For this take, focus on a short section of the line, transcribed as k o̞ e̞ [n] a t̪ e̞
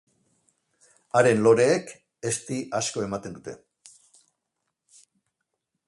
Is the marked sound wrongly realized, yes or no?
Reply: yes